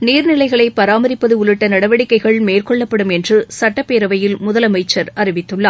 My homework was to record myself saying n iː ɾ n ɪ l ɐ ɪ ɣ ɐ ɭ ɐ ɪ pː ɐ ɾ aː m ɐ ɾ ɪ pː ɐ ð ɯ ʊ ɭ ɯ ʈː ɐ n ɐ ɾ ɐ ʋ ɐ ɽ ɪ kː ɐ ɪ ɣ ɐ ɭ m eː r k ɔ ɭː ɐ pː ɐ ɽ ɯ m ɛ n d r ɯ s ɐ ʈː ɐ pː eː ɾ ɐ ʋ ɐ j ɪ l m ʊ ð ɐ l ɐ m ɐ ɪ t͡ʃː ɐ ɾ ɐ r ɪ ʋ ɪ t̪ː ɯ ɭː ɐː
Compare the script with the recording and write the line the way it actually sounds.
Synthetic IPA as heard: n iː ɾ n ɪ l ɐ ɪ ɣ ɐ ɭ ɐ ɪ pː ɐ ɾ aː m ɐ ɾ ɪ pː ɐ ð ɯ ʊ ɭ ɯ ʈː ɐ n ɐ ɽ ɐ ʋ ɐ ɽ ɪ kː ɐ ɪ ɣ ɐ ɭ m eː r k ɔ ɭː ɐ pː ɐ ɽ ɯ m ɛ n d r ɯ s ɐ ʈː ɐ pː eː ɾ ɐ ʋ ɐ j ɪ l m ʊ ð ɐ l ɐ m ɐ ɪ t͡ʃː ɐ ɾ ɐ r ɪ ʋ ɪ t̪ː ɯ ɭː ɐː